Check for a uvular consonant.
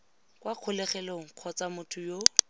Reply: present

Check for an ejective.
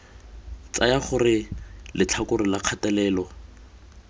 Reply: absent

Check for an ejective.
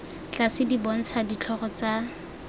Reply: absent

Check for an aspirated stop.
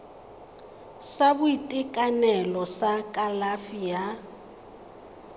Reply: absent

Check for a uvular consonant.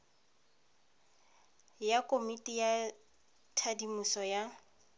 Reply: absent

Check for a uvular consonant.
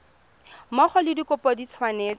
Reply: present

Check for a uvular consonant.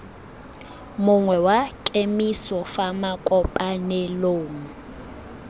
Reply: absent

